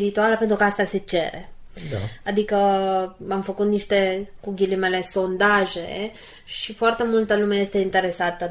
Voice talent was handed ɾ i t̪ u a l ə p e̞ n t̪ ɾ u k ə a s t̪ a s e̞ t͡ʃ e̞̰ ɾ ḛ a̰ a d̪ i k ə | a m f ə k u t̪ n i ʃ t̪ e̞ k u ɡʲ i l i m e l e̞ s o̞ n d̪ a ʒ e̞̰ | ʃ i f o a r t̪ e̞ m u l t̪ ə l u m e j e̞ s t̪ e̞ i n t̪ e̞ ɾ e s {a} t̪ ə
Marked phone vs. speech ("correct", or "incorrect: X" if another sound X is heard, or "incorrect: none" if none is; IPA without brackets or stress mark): correct